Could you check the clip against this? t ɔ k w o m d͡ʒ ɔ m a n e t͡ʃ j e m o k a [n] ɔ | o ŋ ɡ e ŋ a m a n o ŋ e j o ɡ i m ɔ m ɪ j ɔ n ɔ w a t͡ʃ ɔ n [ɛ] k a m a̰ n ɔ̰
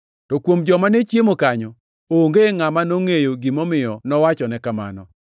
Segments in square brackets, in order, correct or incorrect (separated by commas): incorrect, correct